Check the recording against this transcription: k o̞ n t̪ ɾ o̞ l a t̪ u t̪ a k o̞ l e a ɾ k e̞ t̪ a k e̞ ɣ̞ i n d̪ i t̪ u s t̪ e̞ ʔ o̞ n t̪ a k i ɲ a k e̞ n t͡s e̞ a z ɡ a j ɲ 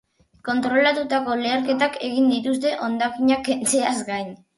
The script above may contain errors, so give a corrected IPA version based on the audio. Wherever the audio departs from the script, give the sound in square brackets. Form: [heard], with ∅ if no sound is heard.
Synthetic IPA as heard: k o̞ n t̪ ɾ o̞ l a t̪ u t̪ a k o̞ l e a ɾ k e̞ t̪ a k e̞ ɣ̞ i n d̪ i t̪ u s t̪ e̞ ʔ o̞ n [d̪] a k i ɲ a k e̞ n t͡s e̞ a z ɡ a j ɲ